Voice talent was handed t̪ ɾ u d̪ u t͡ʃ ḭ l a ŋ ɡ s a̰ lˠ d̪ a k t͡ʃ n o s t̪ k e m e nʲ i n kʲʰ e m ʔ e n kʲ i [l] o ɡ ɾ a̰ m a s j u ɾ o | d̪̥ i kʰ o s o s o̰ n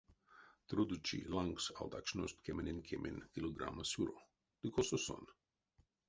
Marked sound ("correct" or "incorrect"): correct